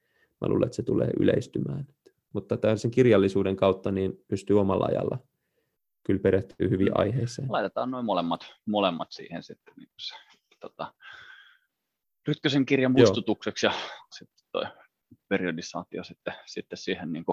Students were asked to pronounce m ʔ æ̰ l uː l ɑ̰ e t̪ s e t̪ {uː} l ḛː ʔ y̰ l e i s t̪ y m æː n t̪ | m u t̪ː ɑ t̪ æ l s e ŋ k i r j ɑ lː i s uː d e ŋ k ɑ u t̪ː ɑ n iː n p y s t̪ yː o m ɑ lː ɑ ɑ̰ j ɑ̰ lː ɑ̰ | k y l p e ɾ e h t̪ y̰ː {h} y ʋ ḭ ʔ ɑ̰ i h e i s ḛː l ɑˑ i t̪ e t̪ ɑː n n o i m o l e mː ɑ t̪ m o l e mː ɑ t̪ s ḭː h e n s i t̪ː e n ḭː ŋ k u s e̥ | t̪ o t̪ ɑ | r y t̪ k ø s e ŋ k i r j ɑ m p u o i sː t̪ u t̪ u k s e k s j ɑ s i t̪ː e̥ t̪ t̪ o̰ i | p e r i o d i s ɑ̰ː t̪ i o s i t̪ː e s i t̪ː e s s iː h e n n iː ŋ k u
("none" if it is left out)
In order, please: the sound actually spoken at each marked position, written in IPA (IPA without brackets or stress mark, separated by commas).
u, h